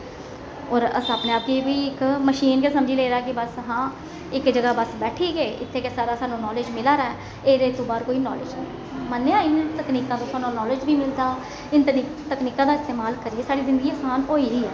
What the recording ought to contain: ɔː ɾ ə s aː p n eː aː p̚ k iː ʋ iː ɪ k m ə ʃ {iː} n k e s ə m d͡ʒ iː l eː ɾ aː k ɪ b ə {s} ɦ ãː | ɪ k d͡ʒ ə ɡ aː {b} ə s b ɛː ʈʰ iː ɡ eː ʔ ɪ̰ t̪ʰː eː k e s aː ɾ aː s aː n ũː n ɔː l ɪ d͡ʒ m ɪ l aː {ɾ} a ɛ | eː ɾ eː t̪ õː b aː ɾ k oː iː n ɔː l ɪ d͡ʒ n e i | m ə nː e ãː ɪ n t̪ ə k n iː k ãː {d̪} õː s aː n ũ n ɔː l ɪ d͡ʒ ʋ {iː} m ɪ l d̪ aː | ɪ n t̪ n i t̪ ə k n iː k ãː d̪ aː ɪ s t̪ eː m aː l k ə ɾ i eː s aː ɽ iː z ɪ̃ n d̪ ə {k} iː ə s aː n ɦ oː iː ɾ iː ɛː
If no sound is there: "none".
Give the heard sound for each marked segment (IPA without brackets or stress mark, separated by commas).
iː, s, b, ɾ, t̪, iː, ɡ